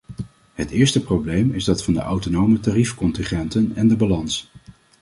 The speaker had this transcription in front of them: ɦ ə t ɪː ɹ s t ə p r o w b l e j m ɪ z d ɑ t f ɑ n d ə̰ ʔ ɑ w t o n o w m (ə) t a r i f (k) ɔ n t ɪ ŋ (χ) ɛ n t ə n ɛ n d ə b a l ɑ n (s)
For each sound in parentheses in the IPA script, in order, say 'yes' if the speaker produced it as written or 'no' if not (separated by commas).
yes, yes, yes, yes